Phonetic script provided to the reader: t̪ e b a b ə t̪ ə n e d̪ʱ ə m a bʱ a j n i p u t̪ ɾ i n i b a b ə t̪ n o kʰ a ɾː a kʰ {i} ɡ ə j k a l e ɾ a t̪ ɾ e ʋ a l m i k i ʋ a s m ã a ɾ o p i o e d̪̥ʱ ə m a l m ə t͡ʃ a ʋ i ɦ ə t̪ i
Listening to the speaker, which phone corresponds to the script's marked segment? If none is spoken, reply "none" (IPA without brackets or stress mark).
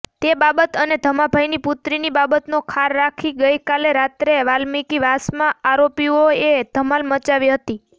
i